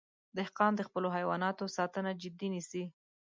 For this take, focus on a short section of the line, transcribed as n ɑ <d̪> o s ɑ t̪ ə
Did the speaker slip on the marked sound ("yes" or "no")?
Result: yes